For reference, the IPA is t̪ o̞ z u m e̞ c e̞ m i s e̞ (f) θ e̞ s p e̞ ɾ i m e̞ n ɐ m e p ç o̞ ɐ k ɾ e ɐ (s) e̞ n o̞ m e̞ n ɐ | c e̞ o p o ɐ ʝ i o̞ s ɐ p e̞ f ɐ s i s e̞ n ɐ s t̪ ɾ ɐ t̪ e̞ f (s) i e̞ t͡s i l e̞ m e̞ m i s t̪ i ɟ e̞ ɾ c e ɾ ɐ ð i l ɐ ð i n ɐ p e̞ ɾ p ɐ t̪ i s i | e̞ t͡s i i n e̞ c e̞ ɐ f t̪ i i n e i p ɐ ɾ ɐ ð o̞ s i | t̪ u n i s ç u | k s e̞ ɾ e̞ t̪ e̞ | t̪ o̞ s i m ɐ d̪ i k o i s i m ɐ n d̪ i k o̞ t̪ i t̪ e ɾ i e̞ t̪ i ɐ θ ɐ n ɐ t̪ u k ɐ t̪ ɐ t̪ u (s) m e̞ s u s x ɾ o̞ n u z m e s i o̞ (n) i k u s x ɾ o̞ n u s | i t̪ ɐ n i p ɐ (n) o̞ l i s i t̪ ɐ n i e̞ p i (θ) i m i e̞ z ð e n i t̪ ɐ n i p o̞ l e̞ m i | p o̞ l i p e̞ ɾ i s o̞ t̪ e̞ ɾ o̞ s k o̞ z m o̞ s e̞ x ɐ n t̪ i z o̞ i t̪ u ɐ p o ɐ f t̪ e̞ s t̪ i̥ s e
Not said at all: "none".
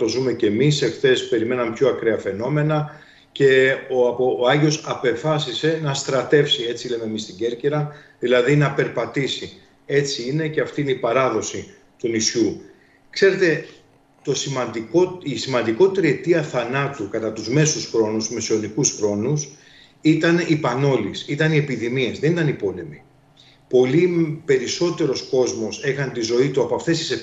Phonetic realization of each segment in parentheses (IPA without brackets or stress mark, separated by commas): x, f, s, z, n, n, ð